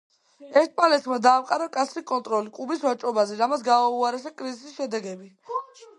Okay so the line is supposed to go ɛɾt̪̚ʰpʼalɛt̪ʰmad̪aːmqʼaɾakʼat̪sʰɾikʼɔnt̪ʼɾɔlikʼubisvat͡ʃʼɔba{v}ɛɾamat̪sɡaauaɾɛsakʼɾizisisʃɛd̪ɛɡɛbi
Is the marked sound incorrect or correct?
incorrect